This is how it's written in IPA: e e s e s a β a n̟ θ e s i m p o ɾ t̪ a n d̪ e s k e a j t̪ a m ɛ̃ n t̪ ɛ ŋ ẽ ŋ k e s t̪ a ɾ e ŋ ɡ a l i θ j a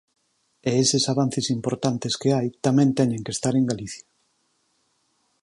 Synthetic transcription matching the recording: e e s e s a β a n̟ θ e s i m p o ɾ t̪ a n t̪ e s k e a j t̪ a m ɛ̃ n t̪ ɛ ɲ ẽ ŋ k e s t̪ a ɾ e ŋ ɡ a l i θ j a